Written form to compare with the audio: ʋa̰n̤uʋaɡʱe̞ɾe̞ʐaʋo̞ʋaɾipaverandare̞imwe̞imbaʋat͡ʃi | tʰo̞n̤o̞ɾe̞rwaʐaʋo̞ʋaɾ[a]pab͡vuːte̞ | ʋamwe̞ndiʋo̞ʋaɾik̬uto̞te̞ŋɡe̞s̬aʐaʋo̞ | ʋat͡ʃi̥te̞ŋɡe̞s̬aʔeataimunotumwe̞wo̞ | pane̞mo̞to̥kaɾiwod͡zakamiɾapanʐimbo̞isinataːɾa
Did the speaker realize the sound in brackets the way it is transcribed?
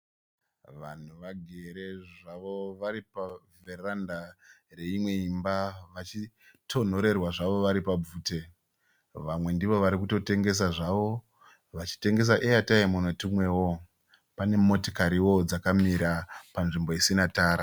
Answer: no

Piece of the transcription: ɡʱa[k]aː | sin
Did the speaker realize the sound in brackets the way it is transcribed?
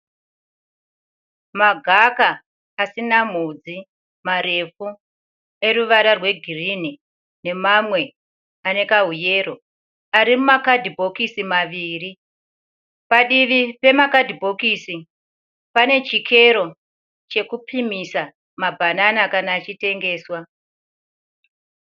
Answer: yes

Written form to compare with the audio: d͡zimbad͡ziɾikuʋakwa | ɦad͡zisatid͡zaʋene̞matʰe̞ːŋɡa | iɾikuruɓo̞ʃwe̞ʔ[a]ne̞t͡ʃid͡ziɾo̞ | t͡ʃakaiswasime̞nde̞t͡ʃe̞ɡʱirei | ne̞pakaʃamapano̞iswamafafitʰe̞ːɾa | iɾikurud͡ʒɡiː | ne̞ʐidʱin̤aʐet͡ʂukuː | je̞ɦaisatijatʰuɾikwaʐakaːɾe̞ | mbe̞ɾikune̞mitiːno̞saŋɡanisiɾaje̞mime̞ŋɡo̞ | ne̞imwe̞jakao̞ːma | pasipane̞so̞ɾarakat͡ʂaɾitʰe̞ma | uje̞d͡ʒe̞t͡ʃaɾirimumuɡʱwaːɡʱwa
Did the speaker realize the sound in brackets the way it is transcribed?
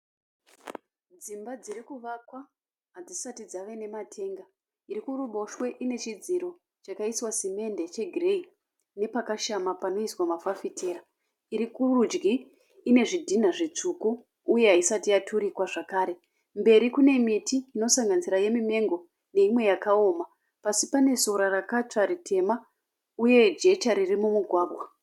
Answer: no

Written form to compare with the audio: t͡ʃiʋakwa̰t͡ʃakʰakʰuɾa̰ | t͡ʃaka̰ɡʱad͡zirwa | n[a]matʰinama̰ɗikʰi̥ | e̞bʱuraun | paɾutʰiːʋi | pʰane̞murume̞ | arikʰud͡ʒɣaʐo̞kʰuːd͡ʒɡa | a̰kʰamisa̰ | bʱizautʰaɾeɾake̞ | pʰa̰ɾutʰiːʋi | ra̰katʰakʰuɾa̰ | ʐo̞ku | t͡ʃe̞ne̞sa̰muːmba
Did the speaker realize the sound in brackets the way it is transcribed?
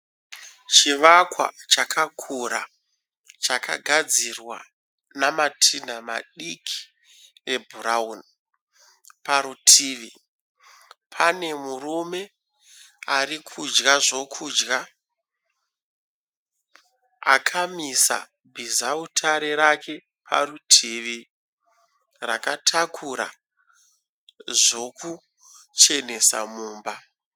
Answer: yes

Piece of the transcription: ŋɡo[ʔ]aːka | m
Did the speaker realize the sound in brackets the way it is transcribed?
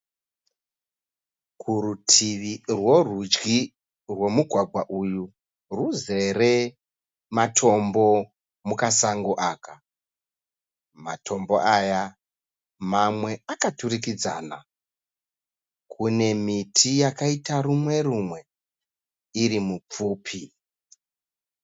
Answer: yes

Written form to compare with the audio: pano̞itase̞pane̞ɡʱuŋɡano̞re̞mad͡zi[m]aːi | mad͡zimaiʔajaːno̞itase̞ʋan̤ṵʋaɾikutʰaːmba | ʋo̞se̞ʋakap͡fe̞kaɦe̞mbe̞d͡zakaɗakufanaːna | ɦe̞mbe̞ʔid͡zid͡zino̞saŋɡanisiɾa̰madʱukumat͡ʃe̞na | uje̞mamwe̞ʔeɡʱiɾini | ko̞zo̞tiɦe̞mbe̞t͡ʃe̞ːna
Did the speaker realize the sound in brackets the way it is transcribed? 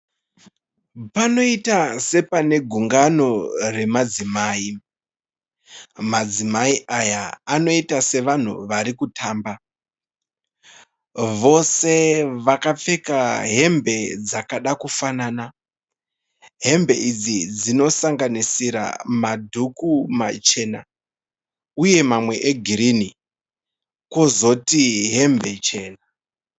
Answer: yes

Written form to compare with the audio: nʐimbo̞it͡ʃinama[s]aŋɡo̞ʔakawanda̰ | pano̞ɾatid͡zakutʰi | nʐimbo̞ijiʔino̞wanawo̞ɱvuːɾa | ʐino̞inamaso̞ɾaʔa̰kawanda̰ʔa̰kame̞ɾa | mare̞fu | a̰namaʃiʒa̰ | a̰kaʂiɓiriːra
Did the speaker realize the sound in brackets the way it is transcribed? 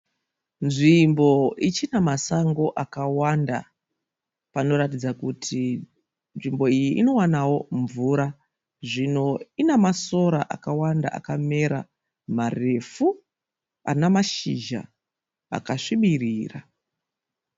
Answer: yes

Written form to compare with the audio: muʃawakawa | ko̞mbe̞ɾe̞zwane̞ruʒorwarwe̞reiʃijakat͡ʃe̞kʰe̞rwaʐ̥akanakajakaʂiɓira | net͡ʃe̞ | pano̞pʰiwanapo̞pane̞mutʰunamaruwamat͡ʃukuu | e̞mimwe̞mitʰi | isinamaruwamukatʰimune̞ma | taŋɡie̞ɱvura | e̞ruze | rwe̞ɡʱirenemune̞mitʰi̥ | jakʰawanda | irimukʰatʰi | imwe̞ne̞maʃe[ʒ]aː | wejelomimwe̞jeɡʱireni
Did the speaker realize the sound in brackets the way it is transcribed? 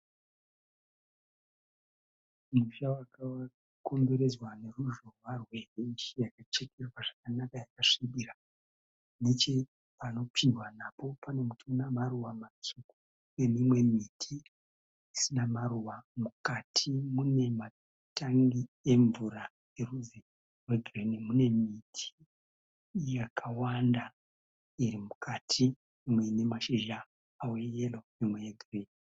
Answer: yes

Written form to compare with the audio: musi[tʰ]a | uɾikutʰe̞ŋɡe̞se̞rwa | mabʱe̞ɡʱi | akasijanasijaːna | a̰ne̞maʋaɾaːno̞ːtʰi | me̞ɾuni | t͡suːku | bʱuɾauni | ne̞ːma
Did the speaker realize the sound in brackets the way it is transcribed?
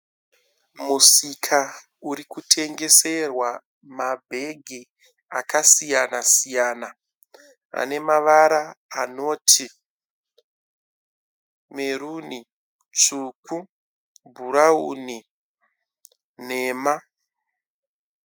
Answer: no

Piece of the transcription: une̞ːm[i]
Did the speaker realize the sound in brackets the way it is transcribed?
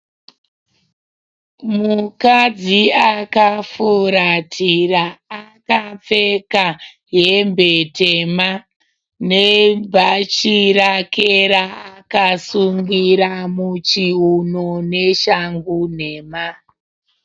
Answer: no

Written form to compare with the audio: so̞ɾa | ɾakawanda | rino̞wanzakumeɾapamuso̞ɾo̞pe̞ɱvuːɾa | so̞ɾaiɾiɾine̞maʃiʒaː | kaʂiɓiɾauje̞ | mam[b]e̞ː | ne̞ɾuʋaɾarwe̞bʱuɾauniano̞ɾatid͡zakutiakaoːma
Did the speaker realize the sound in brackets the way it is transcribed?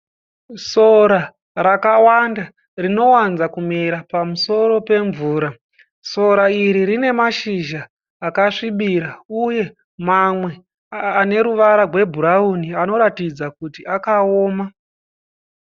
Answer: no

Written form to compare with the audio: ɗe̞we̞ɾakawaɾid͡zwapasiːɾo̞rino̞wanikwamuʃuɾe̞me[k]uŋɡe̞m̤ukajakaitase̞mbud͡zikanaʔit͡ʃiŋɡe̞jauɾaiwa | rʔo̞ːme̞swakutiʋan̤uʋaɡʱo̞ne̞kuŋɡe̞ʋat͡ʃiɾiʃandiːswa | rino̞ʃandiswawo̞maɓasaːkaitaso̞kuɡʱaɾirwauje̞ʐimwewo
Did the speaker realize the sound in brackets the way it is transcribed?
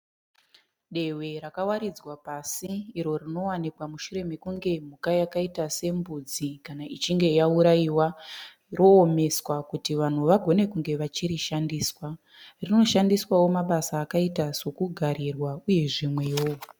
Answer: yes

